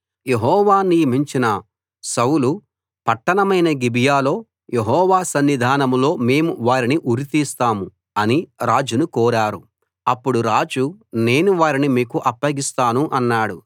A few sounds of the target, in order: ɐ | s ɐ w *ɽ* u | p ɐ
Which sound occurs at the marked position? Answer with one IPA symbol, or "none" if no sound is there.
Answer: l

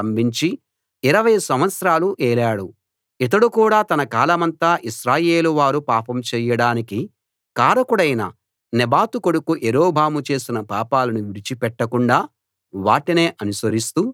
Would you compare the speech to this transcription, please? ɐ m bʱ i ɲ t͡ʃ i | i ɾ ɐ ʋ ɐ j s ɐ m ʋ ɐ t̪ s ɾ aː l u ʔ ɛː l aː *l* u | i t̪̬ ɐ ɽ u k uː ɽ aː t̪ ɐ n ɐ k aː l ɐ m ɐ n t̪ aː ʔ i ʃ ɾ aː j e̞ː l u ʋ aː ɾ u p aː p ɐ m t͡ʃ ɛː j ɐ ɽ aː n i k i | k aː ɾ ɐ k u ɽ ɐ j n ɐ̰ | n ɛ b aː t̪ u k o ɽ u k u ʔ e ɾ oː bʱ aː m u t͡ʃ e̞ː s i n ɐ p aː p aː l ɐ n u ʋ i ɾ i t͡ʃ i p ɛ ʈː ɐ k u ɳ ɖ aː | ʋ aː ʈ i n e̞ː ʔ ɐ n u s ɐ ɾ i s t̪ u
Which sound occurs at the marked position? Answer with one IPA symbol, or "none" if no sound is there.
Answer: ɽ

